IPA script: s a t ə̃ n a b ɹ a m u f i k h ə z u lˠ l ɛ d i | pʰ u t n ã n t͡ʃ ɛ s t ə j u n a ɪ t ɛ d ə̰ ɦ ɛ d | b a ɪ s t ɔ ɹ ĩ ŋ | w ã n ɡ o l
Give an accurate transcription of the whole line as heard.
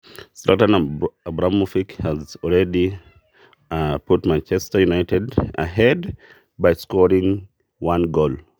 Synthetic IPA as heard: s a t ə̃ n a b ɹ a m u f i k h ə z ɔ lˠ ɹ ɛ d i | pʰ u t m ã n t͡ʃ ɛ s t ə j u n a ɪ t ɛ d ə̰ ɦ ɛ d | b a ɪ s k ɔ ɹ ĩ ŋ | w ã n ɡ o l

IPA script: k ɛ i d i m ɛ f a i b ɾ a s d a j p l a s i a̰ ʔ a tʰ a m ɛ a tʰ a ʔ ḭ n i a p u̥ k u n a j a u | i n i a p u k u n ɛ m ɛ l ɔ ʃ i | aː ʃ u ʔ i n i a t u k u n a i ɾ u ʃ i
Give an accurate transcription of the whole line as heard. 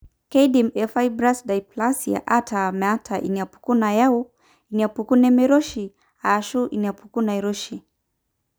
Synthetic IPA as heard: k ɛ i d i m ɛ f a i b ɾ a s d a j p l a s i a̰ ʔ a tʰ a m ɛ a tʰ a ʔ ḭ n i a p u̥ k u n a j a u | i n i a p u k u n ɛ m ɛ ɾ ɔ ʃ i | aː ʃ u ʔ i n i a p u k u n a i ɾ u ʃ i

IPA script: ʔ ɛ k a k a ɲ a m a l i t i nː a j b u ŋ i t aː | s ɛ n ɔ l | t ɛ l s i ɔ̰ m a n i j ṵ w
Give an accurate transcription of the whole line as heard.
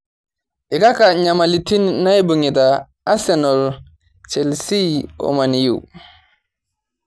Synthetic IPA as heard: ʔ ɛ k a k a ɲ a m a l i t i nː a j b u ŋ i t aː | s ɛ n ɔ l | t͡ʃ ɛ l s i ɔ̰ m a n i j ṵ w

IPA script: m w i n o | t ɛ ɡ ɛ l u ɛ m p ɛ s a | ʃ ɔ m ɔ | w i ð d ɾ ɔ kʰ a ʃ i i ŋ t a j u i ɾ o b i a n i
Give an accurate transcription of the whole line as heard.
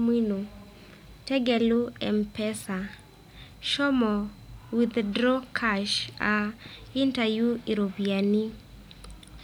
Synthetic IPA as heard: m w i n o | t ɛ ɡ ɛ l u ɛ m p ɛ s a | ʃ ɔ m ɔ | w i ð d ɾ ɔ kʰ a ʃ a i n t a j u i ɾ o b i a n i

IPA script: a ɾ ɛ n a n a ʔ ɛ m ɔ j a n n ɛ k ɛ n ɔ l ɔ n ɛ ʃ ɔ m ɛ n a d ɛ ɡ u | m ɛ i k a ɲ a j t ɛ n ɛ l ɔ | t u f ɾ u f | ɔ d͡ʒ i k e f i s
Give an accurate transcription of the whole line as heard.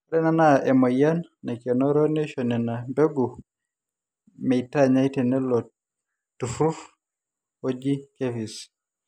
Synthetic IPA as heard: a ɾ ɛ n a n a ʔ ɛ m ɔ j a n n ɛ k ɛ n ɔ ɾ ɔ n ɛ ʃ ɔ n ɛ n a b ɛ ɡ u | m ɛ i t a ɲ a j t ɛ n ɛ l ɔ | t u f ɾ u f | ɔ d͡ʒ i k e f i s

